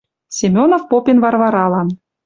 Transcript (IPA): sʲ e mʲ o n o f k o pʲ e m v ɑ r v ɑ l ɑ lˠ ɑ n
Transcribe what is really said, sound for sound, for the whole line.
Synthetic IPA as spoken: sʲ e mʲ o n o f p o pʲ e n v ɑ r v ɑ ɾ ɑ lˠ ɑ n